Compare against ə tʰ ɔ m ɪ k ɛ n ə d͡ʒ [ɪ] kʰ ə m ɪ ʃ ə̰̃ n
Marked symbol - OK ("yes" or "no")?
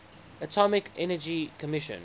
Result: no